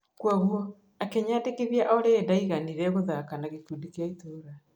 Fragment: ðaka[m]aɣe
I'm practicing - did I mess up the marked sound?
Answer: yes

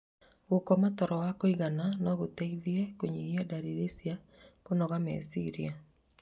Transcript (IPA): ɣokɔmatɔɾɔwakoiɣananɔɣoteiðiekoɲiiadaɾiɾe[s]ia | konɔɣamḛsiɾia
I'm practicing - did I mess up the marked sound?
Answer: no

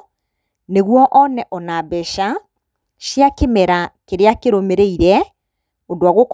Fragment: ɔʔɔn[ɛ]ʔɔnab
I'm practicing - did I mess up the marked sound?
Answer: no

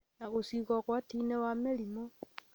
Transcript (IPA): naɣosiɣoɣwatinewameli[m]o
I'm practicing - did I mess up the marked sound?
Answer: no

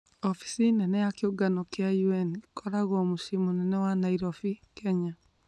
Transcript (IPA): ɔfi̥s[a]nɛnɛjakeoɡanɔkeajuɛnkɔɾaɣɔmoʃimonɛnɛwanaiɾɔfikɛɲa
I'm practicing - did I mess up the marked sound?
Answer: yes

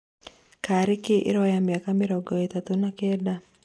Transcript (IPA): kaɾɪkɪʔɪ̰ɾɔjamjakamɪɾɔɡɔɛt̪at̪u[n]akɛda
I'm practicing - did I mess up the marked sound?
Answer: no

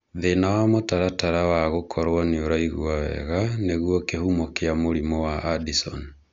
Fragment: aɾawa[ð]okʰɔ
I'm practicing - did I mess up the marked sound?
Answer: yes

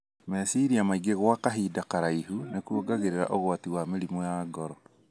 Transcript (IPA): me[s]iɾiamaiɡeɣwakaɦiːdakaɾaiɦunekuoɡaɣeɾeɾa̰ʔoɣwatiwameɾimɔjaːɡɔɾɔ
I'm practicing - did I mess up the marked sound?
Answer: no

